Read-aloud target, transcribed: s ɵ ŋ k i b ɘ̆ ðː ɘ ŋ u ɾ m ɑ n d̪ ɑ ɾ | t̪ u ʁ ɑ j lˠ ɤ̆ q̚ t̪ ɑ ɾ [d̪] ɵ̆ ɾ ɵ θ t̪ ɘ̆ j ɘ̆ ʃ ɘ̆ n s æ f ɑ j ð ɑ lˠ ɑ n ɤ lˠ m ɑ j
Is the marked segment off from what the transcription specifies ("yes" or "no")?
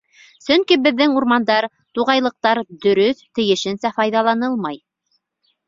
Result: no